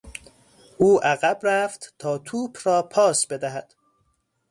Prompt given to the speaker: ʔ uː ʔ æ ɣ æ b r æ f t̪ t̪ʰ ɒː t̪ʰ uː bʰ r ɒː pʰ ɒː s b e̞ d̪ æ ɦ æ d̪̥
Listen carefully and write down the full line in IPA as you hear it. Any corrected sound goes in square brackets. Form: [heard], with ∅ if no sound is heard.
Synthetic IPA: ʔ uː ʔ æ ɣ æ b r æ f t̪ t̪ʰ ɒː t̪ʰ uː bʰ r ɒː pʰ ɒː s b e̞ d̪ æ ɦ æ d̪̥